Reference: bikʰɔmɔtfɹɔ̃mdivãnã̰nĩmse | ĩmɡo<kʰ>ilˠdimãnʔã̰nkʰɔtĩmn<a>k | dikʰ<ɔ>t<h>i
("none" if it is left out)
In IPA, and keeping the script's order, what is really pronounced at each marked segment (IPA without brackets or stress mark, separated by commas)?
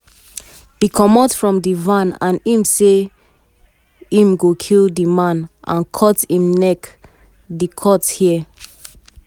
kʰ, ɛ, ɔ, h